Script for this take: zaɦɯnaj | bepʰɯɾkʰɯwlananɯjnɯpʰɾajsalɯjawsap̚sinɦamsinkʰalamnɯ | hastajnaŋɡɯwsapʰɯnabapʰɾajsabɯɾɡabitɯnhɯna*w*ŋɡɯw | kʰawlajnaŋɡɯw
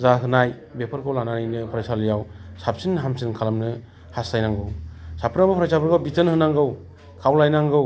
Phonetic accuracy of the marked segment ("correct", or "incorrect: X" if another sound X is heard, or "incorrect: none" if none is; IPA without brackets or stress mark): incorrect: none